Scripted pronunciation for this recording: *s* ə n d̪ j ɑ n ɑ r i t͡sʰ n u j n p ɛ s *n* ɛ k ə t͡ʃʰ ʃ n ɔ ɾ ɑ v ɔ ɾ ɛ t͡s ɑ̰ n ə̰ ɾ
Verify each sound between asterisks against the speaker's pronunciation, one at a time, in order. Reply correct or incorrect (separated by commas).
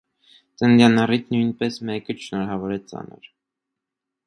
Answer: incorrect, incorrect